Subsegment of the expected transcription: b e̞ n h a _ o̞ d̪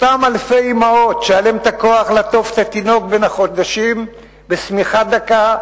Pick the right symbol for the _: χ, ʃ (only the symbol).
χ